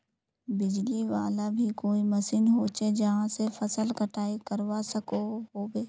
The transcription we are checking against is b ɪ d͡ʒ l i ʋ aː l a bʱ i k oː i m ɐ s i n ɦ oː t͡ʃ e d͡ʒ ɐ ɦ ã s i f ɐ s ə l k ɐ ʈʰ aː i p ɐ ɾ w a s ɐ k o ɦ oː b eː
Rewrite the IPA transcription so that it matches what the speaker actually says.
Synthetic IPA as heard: b ɪ d͡ʒ l i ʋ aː l a bʱ i k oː i m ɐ s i n ɦ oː t͡ʃ e d͡ʒ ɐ ɦ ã s e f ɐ s ə l k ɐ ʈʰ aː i k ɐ ɾ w a s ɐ k o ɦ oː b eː